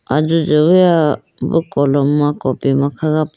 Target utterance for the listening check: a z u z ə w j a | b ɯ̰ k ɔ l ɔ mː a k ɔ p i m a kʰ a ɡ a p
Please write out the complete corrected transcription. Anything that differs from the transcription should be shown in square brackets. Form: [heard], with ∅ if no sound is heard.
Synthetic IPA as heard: a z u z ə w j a | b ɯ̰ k ɔ l ɔ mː a k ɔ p i m a kʰ a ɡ a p